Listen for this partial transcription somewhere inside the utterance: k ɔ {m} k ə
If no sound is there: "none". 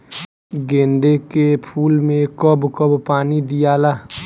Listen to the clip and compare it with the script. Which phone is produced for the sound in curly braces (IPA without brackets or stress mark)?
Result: b